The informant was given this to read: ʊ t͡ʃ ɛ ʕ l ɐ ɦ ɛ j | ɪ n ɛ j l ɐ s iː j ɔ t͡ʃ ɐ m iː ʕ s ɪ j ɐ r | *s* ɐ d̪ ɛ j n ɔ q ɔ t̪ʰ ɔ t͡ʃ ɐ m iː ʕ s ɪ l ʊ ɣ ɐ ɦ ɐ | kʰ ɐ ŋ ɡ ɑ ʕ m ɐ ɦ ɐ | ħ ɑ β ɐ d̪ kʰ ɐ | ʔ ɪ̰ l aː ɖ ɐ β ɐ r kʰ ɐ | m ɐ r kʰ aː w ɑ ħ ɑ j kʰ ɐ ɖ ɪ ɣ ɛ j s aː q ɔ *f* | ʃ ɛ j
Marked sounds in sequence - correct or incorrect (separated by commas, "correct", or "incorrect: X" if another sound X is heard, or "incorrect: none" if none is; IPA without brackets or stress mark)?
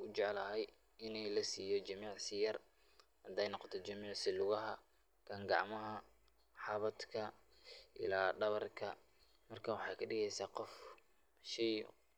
incorrect: h, correct